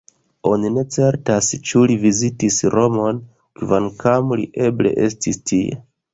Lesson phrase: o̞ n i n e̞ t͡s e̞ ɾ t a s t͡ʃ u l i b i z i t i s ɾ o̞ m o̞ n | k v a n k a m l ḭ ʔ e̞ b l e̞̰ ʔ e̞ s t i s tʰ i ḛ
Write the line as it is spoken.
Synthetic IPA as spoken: o̞ n i n e̞ t͡s e̞ ɾ t a s t͡ʃ u l i v i z i t i s ɾ o̞ m o̞ n | k v a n k a m l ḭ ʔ e̞ b l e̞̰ ʔ e̞ s t i s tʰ i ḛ